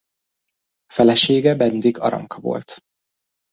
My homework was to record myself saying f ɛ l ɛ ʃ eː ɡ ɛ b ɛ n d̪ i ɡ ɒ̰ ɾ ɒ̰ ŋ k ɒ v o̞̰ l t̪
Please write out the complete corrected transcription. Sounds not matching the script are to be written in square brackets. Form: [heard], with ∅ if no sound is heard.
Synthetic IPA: f ɛ l ɛ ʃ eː ɡ ɛ b ɛ n d̪ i ɡ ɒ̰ ɾ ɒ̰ ŋ k ɒ v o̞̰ l t̪